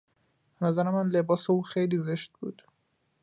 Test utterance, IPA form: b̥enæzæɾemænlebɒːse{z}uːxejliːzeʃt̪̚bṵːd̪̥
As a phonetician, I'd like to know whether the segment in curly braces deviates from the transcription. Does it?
yes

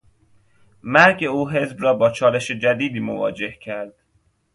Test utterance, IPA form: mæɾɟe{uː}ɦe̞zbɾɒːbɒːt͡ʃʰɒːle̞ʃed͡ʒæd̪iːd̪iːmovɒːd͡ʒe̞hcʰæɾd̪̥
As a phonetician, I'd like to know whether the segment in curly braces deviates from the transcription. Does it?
no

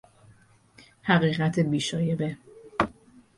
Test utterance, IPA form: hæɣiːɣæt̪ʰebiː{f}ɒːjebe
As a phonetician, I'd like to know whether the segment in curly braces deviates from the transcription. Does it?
yes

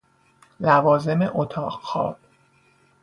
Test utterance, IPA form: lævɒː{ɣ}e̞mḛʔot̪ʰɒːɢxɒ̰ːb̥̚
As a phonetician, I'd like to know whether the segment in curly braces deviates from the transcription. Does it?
yes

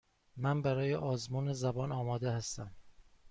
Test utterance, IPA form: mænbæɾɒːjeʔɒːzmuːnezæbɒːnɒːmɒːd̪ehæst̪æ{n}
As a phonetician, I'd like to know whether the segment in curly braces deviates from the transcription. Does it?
yes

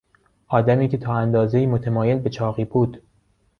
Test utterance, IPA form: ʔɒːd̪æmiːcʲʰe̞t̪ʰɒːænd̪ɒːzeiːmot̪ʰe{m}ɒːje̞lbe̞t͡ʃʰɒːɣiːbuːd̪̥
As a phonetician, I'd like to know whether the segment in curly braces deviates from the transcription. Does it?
no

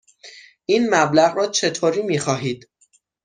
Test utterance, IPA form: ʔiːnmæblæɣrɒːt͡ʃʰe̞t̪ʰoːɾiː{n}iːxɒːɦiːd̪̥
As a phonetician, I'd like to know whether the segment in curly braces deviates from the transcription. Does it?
yes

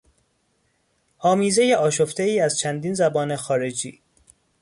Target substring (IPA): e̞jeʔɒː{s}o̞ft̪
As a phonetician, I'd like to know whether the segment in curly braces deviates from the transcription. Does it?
yes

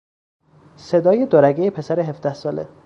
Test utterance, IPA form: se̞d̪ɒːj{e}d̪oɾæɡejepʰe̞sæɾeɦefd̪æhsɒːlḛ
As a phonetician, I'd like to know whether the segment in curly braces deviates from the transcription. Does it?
no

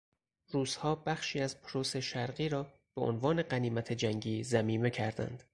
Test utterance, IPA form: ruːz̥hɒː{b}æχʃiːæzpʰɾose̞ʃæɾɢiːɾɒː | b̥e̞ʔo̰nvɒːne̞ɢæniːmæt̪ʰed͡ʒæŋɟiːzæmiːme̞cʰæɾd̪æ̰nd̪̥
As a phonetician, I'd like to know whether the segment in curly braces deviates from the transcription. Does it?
no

